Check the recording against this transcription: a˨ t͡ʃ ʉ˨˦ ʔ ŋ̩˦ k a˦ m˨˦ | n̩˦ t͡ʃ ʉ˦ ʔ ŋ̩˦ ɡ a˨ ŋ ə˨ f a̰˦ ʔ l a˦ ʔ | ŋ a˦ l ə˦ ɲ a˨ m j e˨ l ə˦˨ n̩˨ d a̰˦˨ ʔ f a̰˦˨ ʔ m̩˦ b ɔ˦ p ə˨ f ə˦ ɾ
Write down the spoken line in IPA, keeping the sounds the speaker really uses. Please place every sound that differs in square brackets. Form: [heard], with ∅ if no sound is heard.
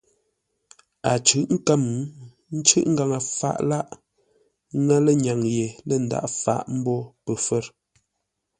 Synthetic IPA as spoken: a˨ t͡ʃ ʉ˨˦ ʔ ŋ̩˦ k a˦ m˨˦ | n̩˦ t͡ʃ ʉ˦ ʔ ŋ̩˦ ɡ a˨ ŋ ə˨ f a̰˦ ʔ l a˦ ʔ | ŋ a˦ l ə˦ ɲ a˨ [ŋ] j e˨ l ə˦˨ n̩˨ d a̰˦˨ ʔ f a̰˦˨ ʔ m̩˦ b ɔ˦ p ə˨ f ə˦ ɾ